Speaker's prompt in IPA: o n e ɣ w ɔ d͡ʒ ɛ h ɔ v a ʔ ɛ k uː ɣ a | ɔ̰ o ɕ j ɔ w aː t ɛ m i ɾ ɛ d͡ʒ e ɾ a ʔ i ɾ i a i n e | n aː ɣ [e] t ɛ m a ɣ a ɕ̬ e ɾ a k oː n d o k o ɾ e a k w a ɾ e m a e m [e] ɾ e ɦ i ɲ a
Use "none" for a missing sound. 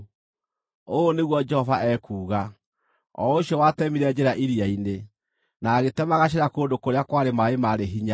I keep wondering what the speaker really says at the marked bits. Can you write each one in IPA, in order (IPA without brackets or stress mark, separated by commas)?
e, a